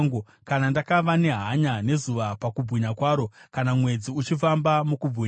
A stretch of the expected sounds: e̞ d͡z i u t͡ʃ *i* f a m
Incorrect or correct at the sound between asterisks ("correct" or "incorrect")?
correct